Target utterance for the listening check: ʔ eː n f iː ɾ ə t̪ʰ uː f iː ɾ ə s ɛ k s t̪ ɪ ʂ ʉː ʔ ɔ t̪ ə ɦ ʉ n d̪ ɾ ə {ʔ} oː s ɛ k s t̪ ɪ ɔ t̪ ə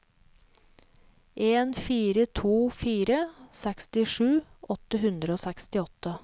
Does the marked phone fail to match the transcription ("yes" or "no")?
yes